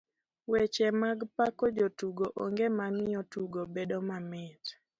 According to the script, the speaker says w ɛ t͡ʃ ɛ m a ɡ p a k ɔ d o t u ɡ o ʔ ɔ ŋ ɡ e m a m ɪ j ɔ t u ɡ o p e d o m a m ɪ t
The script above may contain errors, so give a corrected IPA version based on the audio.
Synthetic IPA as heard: w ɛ t͡ʃ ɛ m a ɡ p a k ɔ d͡ʒ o t u ɡ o ʔ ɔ ŋ ɡ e m a m ɪ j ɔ t u ɡ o b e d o m a m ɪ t